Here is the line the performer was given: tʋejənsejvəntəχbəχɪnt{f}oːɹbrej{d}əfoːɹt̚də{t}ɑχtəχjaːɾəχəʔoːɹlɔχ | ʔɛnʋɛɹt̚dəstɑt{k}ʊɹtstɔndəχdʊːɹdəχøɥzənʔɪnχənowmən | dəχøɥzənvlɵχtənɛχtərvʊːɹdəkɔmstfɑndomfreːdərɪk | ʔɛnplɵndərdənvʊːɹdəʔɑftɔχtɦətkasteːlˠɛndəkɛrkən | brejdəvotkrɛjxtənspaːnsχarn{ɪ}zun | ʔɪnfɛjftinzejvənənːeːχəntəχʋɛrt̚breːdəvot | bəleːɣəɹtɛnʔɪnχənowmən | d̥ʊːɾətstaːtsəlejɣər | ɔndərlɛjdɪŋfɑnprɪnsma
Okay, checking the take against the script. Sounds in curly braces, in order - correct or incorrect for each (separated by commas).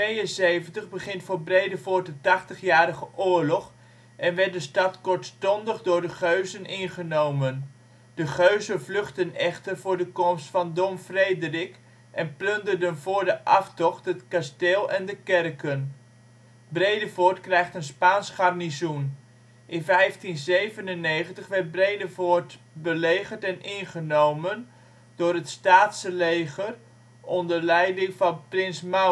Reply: correct, correct, correct, correct, incorrect